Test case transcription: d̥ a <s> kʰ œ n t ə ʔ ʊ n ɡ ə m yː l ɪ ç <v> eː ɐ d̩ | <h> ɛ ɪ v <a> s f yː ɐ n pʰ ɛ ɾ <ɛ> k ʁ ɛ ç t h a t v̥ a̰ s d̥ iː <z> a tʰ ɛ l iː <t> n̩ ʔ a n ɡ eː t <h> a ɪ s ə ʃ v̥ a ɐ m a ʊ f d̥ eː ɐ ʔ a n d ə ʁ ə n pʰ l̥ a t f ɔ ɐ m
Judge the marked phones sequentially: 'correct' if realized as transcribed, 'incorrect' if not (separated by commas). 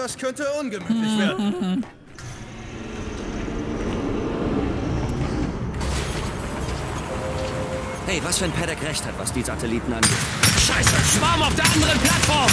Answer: correct, correct, correct, correct, correct, correct, correct, incorrect